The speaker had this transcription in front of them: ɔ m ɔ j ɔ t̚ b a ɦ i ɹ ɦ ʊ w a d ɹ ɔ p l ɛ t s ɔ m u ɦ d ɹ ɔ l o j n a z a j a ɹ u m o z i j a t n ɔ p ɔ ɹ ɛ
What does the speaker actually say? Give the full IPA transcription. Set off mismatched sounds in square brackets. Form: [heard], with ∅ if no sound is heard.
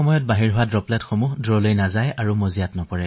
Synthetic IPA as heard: ɔ m ɔ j ɔ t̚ b a ɦ i ɹ ɦ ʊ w a d ɹ ɔ p l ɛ t [x] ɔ m u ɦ d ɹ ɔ l o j n a z a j a ɹ u m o z i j a t n ɔ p ɔ ɹ ɛ